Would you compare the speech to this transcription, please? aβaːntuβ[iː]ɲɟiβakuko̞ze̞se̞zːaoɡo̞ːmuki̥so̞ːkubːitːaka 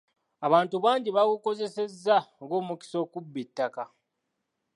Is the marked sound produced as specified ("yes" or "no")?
no